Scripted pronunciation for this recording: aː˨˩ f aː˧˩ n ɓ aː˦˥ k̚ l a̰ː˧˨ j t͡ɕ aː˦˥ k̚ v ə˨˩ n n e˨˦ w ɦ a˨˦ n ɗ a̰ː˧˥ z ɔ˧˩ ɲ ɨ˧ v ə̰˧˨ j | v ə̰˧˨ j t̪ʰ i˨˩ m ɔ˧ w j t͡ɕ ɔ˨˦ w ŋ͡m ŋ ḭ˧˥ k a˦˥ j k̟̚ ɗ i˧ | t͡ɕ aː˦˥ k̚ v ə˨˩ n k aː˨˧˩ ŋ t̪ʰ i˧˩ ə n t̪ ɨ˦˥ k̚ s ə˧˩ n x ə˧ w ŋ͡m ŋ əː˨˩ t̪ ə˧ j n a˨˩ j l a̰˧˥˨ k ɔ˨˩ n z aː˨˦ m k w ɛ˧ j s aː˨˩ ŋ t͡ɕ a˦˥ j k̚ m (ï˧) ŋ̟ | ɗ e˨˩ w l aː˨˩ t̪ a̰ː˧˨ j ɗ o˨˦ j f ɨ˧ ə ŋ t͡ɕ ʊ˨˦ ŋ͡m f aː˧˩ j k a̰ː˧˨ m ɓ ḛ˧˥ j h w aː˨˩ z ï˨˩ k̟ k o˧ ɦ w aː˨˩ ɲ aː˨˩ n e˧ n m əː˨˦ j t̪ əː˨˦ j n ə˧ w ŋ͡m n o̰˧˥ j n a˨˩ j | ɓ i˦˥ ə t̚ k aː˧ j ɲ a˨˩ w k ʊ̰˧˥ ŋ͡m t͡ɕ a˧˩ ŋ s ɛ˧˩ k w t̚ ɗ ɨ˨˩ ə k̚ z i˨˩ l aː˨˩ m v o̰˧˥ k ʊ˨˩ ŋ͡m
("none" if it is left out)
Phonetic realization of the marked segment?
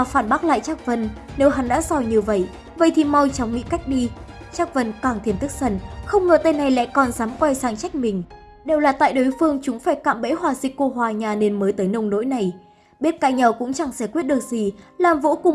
ï˨˩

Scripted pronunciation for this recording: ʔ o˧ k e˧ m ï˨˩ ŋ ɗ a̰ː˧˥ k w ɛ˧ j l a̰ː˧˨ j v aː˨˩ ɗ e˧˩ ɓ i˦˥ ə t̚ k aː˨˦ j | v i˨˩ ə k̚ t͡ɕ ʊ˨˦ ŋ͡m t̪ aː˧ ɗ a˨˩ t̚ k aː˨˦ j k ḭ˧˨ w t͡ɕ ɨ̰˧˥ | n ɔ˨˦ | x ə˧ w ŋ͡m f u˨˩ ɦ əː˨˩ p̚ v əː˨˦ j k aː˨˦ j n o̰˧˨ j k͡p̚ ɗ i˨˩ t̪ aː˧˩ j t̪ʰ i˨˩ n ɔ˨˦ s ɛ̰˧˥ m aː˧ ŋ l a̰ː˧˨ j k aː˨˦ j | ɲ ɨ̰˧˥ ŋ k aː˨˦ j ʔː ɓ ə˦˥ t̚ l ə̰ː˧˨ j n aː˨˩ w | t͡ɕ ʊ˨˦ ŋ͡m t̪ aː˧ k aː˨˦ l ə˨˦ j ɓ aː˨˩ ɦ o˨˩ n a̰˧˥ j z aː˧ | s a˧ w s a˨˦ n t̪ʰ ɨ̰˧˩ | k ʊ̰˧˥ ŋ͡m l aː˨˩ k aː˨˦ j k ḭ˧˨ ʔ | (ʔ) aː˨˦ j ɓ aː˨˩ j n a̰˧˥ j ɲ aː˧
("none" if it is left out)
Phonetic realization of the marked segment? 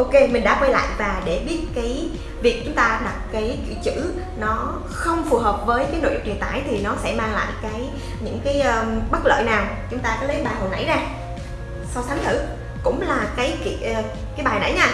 k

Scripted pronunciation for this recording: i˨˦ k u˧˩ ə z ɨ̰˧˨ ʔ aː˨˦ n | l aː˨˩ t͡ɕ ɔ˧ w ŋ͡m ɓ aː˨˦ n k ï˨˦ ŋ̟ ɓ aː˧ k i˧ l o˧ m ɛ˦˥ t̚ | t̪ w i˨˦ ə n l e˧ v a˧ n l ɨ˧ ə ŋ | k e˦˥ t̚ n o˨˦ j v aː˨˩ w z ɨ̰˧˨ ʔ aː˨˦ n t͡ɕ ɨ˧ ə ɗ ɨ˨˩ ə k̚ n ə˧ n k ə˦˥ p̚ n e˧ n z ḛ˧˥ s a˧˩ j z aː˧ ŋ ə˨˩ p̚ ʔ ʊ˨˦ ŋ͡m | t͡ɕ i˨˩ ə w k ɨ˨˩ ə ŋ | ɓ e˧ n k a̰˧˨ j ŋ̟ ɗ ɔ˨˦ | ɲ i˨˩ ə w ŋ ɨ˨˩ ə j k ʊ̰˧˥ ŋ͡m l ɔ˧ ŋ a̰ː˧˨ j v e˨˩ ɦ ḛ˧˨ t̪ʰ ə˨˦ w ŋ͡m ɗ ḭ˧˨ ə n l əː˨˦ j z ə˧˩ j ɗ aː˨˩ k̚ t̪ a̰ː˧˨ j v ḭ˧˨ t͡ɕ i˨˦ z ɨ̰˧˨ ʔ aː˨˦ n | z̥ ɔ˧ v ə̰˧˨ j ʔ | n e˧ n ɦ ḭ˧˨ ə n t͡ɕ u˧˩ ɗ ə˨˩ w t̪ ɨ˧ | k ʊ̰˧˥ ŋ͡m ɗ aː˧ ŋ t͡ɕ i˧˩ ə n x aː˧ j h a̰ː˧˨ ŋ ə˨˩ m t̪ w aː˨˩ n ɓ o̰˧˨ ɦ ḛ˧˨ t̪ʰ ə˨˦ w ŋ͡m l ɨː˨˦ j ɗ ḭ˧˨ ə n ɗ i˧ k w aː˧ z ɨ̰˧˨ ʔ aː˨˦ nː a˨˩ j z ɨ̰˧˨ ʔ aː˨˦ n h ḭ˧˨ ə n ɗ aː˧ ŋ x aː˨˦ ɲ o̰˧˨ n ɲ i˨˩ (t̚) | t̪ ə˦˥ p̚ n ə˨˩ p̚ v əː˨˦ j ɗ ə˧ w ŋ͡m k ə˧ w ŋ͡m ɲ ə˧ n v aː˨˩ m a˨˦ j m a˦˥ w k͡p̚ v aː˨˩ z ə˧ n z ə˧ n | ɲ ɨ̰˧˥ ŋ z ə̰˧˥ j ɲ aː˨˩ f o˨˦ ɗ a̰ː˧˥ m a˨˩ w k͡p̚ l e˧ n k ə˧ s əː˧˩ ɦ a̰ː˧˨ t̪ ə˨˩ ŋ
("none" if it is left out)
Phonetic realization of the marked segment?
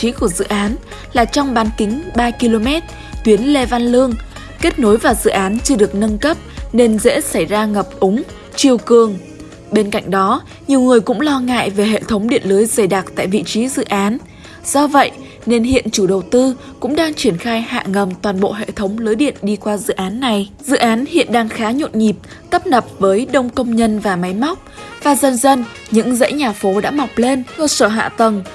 p̚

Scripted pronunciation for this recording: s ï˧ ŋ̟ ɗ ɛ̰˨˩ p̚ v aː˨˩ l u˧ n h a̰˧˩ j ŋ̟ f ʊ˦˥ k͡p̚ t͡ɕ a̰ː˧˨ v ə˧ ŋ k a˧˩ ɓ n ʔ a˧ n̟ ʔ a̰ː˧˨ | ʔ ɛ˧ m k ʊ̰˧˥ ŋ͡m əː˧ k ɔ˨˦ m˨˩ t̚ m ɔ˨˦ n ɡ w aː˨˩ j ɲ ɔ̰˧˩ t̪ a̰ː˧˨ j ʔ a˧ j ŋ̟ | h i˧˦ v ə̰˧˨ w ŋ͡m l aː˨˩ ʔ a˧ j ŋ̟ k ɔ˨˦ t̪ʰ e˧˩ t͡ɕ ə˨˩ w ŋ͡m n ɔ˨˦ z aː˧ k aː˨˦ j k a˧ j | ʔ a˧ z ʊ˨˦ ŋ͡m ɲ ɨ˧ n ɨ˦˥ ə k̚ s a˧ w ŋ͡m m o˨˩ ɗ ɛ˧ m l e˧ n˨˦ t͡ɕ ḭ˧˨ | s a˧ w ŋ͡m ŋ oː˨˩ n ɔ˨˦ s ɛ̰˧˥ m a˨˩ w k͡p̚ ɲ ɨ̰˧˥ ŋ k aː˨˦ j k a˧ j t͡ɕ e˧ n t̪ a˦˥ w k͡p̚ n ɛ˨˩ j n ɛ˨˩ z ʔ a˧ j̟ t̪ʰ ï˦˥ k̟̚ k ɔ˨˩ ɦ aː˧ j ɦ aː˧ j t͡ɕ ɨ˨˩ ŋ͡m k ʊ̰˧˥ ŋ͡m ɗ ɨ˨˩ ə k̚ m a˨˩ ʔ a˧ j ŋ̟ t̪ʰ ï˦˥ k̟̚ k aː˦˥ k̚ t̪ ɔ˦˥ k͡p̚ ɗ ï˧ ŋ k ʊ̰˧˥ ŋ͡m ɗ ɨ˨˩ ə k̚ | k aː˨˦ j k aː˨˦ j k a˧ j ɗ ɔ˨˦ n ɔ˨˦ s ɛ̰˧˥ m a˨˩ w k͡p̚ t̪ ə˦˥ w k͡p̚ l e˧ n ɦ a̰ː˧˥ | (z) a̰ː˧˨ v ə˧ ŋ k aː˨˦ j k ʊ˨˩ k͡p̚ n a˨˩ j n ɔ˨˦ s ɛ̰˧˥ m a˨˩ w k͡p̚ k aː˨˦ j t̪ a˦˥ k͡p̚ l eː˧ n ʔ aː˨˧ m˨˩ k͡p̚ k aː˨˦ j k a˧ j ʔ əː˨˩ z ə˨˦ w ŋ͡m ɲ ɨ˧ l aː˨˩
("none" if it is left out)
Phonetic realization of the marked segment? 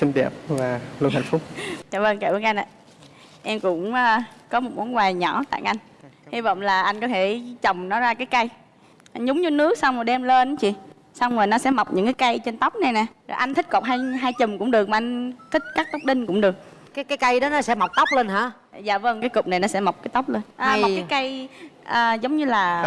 z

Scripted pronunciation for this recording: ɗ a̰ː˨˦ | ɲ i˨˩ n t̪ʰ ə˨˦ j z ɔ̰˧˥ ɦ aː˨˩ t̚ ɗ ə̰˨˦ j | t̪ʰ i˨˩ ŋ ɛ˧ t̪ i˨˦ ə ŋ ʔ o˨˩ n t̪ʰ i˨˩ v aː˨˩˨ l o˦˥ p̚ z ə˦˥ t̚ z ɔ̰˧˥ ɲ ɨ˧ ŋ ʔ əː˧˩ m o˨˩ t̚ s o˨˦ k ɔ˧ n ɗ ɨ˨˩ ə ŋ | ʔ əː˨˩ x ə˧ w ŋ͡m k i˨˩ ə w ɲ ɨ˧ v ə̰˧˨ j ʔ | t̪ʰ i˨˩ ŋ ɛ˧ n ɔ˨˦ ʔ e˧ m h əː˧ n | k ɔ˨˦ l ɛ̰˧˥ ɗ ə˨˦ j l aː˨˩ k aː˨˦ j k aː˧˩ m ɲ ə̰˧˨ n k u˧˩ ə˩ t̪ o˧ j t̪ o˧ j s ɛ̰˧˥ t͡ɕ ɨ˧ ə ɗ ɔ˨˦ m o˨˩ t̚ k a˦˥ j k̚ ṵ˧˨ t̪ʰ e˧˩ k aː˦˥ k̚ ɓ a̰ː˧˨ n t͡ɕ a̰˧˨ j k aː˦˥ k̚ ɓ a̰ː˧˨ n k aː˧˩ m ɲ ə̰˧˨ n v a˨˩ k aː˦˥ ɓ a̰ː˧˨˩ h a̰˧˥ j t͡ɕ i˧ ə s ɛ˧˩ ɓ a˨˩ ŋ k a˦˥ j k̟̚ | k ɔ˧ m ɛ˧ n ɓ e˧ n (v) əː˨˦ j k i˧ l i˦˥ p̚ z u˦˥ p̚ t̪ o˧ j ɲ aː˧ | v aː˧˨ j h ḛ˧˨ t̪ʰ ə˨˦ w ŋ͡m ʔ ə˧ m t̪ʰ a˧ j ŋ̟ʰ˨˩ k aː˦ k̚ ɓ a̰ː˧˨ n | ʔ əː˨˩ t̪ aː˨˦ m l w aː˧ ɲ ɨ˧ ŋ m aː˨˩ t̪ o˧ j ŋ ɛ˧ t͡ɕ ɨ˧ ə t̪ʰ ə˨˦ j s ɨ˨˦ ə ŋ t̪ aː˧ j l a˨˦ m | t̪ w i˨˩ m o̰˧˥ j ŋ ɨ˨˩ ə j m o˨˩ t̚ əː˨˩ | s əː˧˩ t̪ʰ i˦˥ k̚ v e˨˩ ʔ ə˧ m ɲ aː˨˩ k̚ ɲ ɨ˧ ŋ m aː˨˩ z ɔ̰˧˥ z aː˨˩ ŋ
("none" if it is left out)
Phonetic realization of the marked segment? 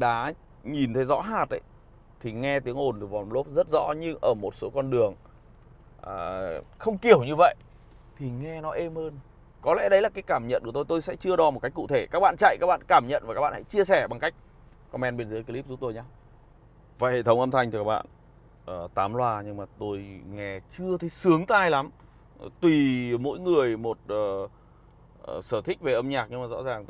z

